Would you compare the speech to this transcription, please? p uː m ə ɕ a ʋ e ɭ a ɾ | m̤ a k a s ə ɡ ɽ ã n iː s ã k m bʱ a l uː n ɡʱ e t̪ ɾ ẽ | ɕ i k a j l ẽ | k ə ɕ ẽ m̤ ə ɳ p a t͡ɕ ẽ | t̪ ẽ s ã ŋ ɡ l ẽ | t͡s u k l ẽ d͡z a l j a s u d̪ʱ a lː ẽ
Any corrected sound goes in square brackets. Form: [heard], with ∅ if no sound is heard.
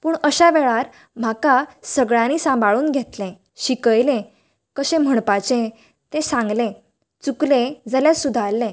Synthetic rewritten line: p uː [ɳ] ə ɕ a ʋ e ɭ a ɾ | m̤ a k a s ə ɡ [ɭ] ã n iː s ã [∅] m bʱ a [ɭ] uː n ɡʱ e t̪ [l] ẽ | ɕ i k [ə] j l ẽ | k ə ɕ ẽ m̤ ə ɳ p a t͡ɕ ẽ | t̪ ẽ s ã ŋ ɡ l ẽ | t͡s u k l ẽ d͡z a l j a s u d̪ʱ a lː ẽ